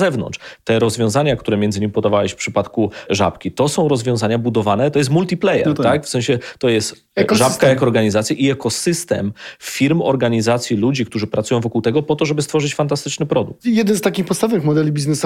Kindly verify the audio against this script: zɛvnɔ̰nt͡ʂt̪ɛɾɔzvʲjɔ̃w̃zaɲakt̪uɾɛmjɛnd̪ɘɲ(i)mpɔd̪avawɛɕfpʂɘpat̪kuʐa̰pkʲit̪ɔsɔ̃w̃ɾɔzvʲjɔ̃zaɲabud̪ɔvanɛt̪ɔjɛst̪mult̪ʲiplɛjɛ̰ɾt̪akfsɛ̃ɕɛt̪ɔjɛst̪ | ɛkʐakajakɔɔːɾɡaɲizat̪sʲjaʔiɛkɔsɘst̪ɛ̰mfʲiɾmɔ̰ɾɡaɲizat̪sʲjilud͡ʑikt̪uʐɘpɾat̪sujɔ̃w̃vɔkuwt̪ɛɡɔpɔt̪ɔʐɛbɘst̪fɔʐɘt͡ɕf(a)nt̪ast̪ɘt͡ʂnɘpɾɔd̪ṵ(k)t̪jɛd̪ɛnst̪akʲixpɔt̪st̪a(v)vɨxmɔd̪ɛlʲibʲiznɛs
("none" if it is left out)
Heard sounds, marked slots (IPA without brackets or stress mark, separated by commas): i, a, k, v